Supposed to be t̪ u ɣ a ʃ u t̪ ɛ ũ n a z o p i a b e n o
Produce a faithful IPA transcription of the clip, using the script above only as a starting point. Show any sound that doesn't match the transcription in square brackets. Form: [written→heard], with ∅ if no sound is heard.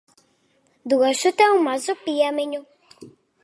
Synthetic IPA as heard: [t̪→d̪] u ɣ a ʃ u t̪ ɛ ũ [n→m] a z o p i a [b→m] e [n→ɲ] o

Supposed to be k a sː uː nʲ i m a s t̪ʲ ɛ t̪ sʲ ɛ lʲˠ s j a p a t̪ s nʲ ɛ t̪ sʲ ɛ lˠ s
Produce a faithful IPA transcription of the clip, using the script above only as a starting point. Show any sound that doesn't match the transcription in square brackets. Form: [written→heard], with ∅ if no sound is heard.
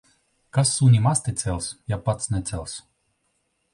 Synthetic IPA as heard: k a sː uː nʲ i m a s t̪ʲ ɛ t̪ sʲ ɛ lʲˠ s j a p a t̪ s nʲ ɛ t̪ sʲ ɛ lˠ s

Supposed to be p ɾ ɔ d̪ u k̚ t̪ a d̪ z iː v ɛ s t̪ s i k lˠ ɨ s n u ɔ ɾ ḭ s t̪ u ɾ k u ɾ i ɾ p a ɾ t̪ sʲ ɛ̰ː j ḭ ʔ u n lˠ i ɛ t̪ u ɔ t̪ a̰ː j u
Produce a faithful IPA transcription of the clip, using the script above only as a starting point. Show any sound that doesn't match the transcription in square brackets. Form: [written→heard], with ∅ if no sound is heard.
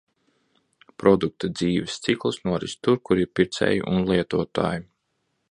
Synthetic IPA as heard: p ɾ ɔ d̪ u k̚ t̪ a d̪ z iː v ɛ s t̪ s i k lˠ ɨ s n u ɔ ɾ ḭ s t̪ u ɾ k u ɾ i ɾ p [a→i] ɾ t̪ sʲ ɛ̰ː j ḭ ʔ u n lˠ i ɛ t̪ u ɔ t̪ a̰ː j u

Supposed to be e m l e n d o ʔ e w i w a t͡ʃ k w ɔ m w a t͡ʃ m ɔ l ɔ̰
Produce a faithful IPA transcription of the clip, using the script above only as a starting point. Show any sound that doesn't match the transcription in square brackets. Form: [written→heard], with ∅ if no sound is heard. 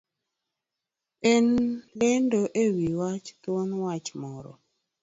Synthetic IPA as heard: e [m→n] l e n d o ʔ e w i w a t͡ʃ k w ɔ [m→n] w a t͡ʃ m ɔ [l→ɾ] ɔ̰

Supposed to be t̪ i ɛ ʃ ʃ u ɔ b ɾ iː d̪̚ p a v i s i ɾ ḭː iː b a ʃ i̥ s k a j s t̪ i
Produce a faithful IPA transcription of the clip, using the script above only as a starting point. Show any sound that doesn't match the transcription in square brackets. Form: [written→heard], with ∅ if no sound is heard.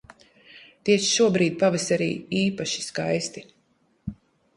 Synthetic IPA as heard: t̪ i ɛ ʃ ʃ u ɔ b ɾ iː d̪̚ p a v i s [i→a] ɾ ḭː iː [b→p] a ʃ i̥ s k a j s t̪ i

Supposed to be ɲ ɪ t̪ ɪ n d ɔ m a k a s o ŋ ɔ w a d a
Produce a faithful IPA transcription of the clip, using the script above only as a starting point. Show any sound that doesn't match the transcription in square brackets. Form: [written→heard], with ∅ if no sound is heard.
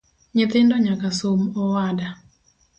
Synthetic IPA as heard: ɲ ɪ t̪ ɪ n d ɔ [m→ɲ] a k a s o [ŋ→m] ɔ w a d a

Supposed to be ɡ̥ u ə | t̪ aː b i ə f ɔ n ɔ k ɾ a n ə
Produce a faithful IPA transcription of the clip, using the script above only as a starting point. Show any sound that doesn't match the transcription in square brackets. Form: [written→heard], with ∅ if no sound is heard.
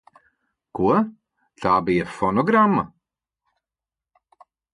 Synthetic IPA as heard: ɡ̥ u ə | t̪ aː b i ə f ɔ n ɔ [k→ɡ] ɾ a [n→m] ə

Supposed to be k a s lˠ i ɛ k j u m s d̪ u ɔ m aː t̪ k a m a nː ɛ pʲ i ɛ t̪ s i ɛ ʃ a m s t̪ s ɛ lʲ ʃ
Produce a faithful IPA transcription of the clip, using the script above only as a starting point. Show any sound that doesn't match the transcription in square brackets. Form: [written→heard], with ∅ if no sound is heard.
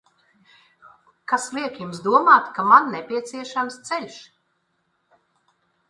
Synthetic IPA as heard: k a s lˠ i ɛ k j u m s d̪ u ɔ m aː t̪ k a m a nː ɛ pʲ i ɛ t̪ s i ɛ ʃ a m s t̪ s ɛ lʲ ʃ

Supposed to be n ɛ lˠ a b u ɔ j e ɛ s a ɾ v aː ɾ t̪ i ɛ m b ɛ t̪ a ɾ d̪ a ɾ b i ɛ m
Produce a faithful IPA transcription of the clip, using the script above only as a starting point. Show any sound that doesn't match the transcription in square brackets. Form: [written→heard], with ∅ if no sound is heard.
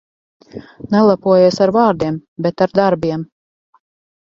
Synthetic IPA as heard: n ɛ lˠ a [b→p] u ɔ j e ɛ s a ɾ v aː ɾ [t̪→d̪] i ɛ m b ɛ t̪ a ɾ d̪ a ɾ b i ɛ m

